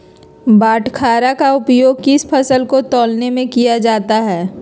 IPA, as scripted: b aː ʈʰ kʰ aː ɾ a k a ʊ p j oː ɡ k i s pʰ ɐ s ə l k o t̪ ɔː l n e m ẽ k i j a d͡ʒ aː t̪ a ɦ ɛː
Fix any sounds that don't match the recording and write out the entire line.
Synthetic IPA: b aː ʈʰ kʰ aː ɾ a k a ʊ p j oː ɡ k ɪ s pʰ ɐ s ə l k o t̪ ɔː l n e m ẽ k i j a d͡ʒ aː t̪ a ɦ ɛː